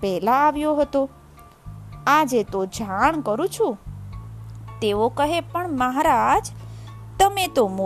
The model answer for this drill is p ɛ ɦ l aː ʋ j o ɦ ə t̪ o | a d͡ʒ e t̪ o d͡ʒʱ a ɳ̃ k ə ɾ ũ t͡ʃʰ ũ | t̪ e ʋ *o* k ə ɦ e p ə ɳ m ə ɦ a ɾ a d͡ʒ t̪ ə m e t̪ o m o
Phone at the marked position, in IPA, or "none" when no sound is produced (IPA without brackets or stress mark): o